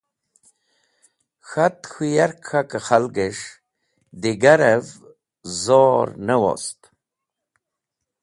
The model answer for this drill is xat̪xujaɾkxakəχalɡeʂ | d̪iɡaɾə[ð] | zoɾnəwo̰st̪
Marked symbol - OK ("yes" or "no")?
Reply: no